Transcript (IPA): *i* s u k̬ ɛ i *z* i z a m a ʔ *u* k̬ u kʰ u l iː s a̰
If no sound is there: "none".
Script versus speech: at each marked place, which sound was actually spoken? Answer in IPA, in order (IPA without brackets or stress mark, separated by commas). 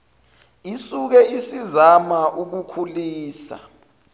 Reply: i, s, u